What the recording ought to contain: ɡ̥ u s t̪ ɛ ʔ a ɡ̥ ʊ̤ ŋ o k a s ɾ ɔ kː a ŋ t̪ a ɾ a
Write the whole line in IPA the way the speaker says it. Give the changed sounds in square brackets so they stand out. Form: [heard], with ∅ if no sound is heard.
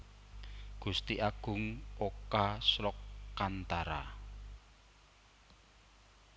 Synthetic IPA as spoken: ɡ̥ u s t̪ [i] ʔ a ɡ̥ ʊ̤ ŋ o k a s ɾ ɔ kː a [n] t̪ a ɾ a